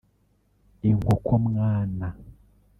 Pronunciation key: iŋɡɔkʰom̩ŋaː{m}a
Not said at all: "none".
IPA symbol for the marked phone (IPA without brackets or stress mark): n